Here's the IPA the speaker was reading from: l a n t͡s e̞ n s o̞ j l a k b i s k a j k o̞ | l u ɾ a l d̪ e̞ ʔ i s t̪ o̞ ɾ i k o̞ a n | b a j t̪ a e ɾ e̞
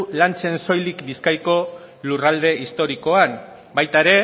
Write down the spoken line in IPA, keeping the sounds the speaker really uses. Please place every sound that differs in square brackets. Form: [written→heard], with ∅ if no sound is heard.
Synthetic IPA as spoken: l a n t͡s e̞ n s o̞ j l [a→i] k b i s k a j k o̞ | l u [ɾ→r] a l d̪ e̞ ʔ i s t̪ o̞ ɾ i k o̞ a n | b a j t̪ a e ɾ e̞